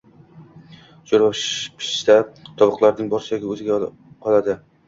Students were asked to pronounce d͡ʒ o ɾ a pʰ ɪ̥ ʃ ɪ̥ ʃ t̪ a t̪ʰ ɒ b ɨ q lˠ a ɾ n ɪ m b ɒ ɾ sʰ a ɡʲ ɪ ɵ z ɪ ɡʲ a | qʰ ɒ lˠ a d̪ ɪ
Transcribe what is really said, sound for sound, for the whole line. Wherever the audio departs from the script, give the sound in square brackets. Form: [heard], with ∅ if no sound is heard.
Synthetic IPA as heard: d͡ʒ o ɾ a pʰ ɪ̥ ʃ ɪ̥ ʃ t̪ a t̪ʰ ɒ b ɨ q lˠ a ɾ n ɪ [ŋ] b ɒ ɾ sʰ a ɡʲ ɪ ɵ z ɪ ɡʲ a | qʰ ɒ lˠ a d̪ ɪ

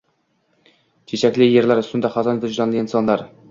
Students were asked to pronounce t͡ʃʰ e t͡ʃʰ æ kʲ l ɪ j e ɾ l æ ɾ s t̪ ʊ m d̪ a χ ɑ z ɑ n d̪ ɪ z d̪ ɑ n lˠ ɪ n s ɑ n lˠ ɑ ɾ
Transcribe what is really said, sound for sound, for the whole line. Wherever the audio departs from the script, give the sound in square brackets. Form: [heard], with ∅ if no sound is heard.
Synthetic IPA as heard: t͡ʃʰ e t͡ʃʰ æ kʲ l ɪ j e ɾ l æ ɾ s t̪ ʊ [n] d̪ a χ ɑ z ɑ n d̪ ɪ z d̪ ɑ n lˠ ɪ n s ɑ n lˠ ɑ ɾ

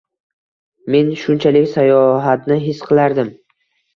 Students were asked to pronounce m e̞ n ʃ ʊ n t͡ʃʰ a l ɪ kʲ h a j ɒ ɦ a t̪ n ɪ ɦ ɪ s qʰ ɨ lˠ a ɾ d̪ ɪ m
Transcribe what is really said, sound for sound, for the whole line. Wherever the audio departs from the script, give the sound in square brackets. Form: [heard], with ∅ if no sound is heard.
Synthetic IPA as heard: m e̞ n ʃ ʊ n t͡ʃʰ a l ɪ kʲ [s] a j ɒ ɦ a t̪ n ɪ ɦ ɪ s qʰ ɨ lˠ a ɾ d̪ ɪ m

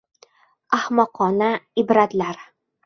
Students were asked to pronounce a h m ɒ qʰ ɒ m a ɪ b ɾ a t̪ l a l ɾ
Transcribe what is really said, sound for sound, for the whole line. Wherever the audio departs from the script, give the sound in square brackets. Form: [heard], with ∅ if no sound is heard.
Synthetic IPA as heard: a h m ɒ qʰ ɒ [n] a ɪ b ɾ a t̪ l a [∅] ɾ

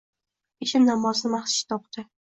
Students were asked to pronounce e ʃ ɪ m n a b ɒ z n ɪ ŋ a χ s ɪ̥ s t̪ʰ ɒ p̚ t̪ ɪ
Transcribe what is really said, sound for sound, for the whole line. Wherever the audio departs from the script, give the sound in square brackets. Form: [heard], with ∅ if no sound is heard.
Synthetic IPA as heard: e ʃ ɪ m n a [m] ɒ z n ɪ [m] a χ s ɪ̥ [ʃ] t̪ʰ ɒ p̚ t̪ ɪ

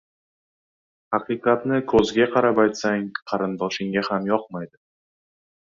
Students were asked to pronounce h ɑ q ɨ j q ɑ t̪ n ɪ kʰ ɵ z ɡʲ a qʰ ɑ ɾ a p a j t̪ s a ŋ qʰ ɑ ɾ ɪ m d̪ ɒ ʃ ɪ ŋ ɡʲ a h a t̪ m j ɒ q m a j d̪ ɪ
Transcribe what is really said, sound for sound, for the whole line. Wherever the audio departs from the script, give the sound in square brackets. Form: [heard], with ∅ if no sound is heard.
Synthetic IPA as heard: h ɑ q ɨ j q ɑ t̪ n ɪ kʰ ɵ z ɡʲ a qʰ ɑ ɾ a p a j t̪ s a ŋ qʰ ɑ ɾ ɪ [n] d̪ ɒ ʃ ɪ ŋ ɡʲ a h a [∅] m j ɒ q m a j d̪ ɪ

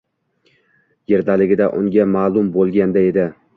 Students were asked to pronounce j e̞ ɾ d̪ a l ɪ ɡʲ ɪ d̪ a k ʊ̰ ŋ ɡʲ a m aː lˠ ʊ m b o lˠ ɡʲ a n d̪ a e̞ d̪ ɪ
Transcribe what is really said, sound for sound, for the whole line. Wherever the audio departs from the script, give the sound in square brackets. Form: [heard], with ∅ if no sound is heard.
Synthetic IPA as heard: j e̞ ɾ d̪ a l ɪ ɡʲ ɪ d̪ a [ʔ] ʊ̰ ŋ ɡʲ a m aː lˠ ʊ m b o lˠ ɡʲ a n d̪ a e̞ d̪ ɪ

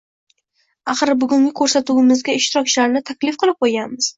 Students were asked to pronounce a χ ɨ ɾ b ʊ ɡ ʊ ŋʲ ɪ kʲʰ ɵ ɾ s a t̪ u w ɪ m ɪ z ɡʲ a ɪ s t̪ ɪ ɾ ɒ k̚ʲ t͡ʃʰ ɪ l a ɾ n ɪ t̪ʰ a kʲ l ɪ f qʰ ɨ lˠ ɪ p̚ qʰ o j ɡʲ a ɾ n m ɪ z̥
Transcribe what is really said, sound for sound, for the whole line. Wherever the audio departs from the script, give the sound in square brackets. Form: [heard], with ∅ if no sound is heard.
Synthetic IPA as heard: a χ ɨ ɾ b ʊ ɡ ʊ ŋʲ ɪ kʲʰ ɵ ɾ s a t̪ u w ɪ m ɪ z ɡʲ a ɪ [ʃ] t̪ ɪ ɾ ɒ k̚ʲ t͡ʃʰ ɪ l a ɾ n ɪ t̪ʰ a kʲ l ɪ f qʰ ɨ lˠ ɪ p̚ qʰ o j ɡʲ a [∅] n m ɪ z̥

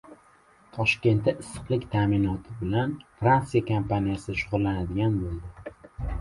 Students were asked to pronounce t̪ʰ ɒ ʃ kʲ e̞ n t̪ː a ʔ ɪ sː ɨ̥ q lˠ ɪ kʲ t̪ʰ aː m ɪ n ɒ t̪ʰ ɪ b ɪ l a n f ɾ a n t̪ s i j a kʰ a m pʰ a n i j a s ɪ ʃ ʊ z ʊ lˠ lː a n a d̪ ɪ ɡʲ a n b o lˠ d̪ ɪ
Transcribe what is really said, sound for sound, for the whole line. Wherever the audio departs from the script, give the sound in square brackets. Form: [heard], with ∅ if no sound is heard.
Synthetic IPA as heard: t̪ʰ ɒ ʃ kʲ e̞ n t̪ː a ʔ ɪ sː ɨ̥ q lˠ ɪ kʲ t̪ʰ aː m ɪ n ɒ t̪ʰ ɪ b ɪ l a n f ɾ a n t̪ s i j a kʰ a m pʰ a n i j a s ɪ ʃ ʊ [ʁ] ʊ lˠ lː a n a d̪ ɪ ɡʲ a n b o lˠ d̪ ɪ

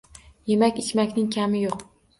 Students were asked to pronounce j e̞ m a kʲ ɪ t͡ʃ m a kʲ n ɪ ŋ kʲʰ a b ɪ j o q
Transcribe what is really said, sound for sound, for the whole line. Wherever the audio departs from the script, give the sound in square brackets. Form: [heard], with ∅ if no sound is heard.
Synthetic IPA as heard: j e̞ m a kʲ ɪ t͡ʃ m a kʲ n ɪ ŋ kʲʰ a [m] ɪ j o q

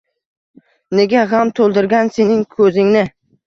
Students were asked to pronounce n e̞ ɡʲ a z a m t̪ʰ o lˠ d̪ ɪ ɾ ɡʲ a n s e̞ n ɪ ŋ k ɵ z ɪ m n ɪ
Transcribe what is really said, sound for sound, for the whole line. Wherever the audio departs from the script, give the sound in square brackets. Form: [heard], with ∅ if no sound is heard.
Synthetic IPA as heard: n e̞ ɡʲ a [ʁ] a m t̪ʰ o lˠ d̪ ɪ ɾ ɡʲ a n s e̞ n ɪ ŋ [kʰ] ɵ z ɪ [ŋ] n ɪ

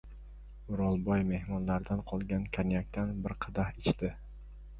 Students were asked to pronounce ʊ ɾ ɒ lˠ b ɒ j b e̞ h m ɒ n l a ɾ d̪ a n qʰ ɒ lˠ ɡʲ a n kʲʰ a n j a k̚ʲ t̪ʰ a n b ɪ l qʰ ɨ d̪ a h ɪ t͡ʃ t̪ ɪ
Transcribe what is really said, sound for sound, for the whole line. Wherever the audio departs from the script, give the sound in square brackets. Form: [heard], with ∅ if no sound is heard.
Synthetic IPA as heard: ʊ ɾ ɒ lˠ b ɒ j [m] e̞ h m ɒ n l a ɾ d̪ a n qʰ ɒ lˠ ɡʲ a n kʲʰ a n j a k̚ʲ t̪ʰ a n b ɪ [ɾ] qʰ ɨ d̪ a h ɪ t͡ʃ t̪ ɪ

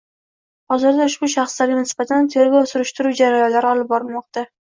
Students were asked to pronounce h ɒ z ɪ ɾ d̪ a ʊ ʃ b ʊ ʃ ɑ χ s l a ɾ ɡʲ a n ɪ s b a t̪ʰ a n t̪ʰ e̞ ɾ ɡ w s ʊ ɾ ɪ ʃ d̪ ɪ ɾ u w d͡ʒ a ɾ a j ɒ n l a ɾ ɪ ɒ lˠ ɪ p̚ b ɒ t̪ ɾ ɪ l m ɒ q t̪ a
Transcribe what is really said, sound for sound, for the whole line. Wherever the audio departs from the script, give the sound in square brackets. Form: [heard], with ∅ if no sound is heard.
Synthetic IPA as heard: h ɒ z ɪ ɾ d̪ a ʊ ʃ b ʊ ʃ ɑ χ s l a ɾ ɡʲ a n ɪ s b a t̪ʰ a n t̪ʰ e̞ ɾ ɡ w s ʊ ɾ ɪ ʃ [t̪] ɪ ɾ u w d͡ʒ a ɾ a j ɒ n l a ɾ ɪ ɒ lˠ ɪ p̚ b ɒ [∅] ɾ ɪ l m ɒ q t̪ a

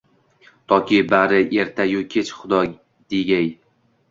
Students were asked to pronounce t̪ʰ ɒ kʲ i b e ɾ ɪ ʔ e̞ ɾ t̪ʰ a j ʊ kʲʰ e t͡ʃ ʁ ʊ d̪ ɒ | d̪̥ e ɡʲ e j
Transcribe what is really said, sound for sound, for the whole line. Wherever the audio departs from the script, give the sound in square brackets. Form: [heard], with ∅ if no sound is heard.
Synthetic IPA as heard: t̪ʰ ɒ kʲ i b [a] ɾ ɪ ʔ e̞ ɾ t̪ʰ a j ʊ kʲʰ e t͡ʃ [χ] ʊ d̪ ɒ | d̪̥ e ɡʲ [a] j

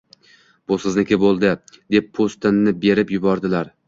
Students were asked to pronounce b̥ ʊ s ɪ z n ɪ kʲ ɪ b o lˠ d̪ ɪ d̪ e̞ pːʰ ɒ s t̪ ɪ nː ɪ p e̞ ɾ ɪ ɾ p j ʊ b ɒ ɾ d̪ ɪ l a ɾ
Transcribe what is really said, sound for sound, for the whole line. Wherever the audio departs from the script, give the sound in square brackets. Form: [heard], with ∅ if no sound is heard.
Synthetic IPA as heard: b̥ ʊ s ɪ z n ɪ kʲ ɪ b o lˠ d̪ ɪ d̪ e̞ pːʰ [o] s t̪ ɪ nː ɪ [b] e̞ ɾ ɪ [∅] p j ʊ b ɒ ɾ d̪ ɪ l a ɾ

